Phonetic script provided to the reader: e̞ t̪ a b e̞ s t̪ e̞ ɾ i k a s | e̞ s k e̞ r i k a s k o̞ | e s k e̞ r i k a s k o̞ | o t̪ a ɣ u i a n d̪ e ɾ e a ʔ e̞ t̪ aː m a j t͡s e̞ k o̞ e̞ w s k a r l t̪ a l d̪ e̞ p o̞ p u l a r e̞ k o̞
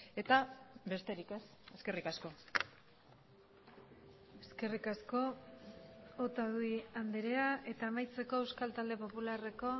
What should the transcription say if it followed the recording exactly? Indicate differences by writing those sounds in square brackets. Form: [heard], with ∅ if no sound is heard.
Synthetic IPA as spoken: e̞ t̪ a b e̞ s t̪ e̞ ɾ i k [e] s | e̞ s k e̞ r i k a s k o̞ | e s k e̞ r i k a s k o̞ | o t̪ a [ð] u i a n d̪ e ɾ e a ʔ e̞ t̪ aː m a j t͡s e̞ k o̞ e̞ w s k a [∅] l t̪ a l d̪ e̞ p o̞ p u l a r e̞ k o̞